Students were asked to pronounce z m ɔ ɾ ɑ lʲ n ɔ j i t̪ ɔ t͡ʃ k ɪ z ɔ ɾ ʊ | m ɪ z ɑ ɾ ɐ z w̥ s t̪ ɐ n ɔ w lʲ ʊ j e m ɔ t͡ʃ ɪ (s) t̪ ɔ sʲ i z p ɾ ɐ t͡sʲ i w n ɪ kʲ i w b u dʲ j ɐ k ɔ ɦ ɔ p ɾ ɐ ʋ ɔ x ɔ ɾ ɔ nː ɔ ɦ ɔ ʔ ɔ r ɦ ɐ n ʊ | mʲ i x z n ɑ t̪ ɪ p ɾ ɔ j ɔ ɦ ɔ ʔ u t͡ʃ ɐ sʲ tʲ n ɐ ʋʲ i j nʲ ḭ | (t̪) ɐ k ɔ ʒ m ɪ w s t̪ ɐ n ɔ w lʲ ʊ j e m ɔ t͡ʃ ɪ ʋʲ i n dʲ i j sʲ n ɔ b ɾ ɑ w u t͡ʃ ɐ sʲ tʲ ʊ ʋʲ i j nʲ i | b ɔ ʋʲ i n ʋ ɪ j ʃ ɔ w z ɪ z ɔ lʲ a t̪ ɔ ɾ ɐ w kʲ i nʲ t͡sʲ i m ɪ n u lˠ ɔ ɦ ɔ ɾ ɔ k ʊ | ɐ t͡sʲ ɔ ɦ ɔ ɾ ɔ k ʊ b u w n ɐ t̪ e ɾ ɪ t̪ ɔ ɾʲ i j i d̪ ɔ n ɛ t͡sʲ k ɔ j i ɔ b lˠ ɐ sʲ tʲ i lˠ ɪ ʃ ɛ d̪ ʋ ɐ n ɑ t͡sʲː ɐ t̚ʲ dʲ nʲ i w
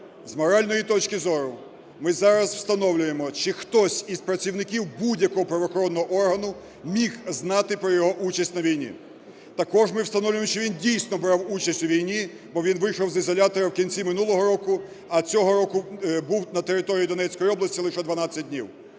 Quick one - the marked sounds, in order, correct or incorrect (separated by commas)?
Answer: incorrect, correct